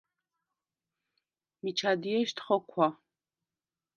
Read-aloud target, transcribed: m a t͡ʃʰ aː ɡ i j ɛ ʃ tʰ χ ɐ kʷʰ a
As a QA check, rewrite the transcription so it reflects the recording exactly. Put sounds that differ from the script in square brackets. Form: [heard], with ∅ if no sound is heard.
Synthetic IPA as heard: m [i] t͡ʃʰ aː [d] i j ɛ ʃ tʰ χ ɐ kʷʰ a